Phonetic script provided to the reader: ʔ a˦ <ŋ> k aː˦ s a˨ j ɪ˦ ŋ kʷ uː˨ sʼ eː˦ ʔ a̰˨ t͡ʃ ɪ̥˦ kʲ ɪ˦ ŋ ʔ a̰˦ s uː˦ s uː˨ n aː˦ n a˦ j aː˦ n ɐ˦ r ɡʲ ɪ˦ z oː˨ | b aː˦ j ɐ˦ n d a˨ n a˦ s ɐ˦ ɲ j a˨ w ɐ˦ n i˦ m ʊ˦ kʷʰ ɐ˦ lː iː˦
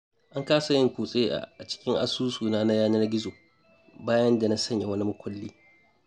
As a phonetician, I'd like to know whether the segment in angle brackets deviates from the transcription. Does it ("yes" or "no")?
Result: no